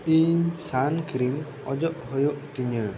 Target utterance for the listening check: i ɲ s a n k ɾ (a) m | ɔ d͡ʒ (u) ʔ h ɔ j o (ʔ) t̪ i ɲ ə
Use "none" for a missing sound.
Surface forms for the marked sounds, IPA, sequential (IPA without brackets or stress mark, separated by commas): i, ɔ, ʔ